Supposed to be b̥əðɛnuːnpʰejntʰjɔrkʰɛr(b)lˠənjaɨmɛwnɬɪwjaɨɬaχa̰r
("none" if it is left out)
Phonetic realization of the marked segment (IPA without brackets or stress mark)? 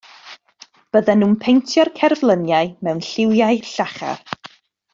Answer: v